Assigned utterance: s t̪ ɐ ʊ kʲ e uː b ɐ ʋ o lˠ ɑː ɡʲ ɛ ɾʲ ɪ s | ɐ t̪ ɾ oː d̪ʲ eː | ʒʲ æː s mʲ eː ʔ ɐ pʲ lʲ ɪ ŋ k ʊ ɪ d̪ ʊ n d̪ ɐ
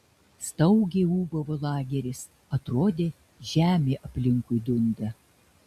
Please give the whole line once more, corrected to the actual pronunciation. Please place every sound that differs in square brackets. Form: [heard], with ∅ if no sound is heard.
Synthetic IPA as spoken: s t̪ ɐ ʊ [ɡʲ] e uː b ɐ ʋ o lˠ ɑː ɡʲ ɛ ɾʲ ɪ s | ɐ t̪ ɾ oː d̪ʲ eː | ʒʲ æː [∅] mʲ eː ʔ ɐ pʲ lʲ ɪ ŋ k ʊ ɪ d̪ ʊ n d̪ ɐ